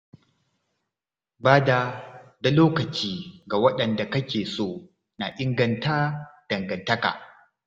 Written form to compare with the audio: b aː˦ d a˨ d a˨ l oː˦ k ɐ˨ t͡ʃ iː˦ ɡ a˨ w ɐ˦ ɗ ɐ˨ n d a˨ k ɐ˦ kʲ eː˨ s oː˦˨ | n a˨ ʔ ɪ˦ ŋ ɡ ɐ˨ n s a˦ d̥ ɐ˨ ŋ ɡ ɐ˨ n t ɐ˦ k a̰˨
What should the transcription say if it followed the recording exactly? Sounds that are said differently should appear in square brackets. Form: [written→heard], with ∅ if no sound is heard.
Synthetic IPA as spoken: b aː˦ d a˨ d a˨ l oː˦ k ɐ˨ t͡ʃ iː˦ ɡ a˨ w ɐ˦ ɗ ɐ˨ n d a˨ k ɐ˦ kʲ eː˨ s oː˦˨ | n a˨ ʔ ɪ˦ ŋ ɡ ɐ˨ n [s→t] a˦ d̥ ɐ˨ ŋ ɡ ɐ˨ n t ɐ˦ k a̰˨